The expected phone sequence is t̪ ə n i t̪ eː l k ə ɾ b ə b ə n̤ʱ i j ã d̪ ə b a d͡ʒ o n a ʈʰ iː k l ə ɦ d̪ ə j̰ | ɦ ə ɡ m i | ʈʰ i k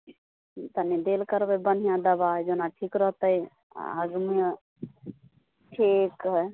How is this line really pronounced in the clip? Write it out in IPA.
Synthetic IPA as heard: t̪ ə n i d̪ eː l k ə ɾ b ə b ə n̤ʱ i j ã d̪ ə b a d͡ʒ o n a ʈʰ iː k ɾ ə ɦ t̪ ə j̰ | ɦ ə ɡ m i | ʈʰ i k